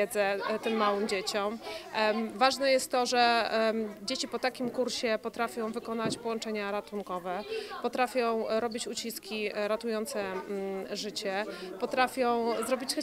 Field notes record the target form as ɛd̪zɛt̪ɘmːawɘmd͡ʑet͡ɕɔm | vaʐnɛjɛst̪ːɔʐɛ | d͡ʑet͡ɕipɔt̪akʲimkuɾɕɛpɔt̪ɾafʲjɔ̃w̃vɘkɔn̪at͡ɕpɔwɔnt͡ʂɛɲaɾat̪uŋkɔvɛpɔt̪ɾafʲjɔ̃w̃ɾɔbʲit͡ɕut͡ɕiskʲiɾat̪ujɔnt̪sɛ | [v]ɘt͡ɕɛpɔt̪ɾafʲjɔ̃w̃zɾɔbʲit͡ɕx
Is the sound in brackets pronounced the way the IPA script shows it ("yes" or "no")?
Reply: no